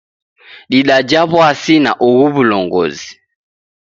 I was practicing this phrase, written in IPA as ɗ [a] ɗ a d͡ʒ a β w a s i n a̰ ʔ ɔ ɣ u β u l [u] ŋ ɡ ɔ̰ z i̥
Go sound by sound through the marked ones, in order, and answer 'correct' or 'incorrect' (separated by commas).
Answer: incorrect, incorrect